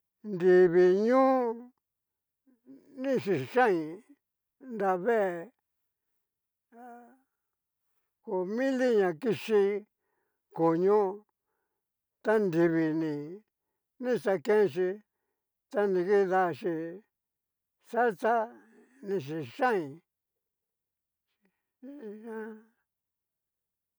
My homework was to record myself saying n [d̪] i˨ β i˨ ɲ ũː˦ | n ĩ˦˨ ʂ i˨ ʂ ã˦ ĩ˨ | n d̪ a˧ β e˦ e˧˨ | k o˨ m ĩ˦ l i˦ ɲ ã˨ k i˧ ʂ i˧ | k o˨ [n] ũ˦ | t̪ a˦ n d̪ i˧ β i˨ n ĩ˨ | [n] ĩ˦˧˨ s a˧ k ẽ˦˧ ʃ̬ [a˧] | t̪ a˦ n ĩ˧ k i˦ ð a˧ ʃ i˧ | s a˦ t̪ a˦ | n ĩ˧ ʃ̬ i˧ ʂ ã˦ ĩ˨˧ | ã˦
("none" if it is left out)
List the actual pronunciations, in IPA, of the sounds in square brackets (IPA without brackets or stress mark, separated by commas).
d̪, ɲ, n, i˧